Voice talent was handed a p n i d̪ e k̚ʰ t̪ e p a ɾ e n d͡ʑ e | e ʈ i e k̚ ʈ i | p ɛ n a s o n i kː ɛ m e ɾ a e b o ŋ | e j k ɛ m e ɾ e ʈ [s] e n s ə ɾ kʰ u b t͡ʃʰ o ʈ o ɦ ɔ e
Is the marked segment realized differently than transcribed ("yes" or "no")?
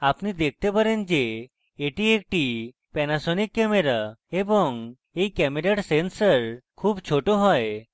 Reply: no